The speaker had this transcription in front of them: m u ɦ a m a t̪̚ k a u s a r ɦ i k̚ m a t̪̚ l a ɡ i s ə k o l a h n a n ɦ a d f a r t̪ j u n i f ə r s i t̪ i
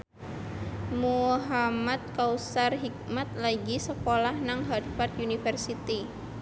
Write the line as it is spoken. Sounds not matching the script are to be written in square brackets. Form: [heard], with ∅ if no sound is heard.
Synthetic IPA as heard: m u ɦ a m a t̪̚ k a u s a r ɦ i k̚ m a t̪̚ l a ɡ i s ə k o l a h n a [ŋ] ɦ a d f a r t̪ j u n i f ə r s i t̪ i